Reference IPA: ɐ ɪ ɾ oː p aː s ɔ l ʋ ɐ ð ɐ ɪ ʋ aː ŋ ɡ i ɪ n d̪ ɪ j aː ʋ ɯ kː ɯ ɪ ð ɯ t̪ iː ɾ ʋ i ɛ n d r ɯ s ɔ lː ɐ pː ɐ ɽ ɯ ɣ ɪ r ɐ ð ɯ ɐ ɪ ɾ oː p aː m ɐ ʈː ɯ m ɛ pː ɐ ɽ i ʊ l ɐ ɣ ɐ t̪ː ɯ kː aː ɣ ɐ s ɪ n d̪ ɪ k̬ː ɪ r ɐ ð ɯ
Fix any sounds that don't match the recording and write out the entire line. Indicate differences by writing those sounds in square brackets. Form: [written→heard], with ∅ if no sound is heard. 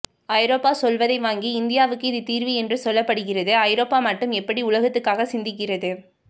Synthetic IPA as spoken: ɐ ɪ ɾ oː p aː s ɔ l ʋ ɐ ð ɐ ɪ ʋ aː ŋ ɡ i ɪ n d̪ ɪ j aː ʋ ɯ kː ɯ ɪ ð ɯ t̪ iː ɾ ʋ i ɛ n d r ɯ s ɔ lː ɐ pː ɐ ɽ ɯ ɣ ɪ r ɐ ð ɯ ɐ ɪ ɾ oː p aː m ɐ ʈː ɯ m ɛ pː ɐ ɽ i ʊ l ɐ ɣ ɐ t̪ː ɯ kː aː ɣ ɐ s ɪ n d̪ ɪ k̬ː ɪ r ɐ ð ɯ